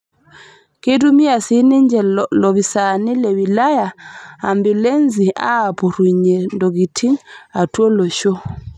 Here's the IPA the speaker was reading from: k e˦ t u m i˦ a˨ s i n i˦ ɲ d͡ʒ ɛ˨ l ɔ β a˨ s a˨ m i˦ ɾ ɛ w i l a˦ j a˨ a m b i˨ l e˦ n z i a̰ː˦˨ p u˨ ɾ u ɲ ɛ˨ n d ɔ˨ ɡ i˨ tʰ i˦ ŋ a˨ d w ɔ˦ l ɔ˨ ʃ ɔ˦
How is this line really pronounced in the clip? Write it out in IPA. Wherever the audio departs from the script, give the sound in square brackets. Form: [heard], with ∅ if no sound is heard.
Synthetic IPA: k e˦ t u m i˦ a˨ s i n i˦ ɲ d͡ʒ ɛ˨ l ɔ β [i˨] s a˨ [n] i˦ [l] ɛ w i l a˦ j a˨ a m b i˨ l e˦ n z i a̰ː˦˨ p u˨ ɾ u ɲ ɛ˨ n d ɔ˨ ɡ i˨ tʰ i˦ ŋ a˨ [t] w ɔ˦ l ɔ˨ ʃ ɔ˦